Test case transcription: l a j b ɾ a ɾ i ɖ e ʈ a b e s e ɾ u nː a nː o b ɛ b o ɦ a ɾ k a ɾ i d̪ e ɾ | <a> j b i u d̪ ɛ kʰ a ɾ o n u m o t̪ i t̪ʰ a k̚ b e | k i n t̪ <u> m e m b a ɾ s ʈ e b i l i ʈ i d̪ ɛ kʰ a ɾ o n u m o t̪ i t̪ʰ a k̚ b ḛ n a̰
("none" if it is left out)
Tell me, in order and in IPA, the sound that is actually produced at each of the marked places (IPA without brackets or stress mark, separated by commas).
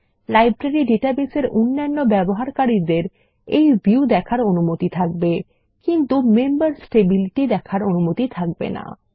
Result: e, u